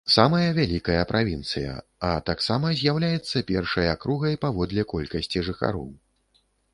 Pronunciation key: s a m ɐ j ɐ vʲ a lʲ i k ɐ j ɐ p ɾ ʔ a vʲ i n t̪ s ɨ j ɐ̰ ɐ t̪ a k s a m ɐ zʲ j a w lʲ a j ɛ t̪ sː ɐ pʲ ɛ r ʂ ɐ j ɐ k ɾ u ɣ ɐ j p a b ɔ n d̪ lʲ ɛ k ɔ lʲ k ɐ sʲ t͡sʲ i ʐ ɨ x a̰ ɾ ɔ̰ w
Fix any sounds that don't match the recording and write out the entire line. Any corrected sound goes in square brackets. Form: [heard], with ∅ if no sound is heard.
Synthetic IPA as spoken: s a m ɐ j ɐ vʲ a lʲ i k ɐ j ɐ p ɾ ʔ a vʲ i n t̪ s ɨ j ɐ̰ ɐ t̪ a k s a m ɐ zʲ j a w lʲ a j ɛ t̪ sː ɐ pʲ ɛ r ʂ ɐ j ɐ k ɾ u ɣ ɐ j p a [v] ɔ [∅] d̪ lʲ ɛ k ɔ lʲ k ɐ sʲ t͡sʲ i ʐ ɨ x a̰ ɾ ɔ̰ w